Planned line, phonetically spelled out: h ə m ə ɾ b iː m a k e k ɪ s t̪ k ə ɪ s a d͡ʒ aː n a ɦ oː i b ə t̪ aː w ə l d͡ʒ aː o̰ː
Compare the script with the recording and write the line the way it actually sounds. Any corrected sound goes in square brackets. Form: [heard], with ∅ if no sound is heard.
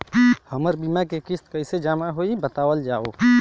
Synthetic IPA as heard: h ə m ə ɾ b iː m a k e k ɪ s t̪ k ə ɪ s [e] d͡ʒ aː [m] a ɦ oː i b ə t̪ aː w ə l d͡ʒ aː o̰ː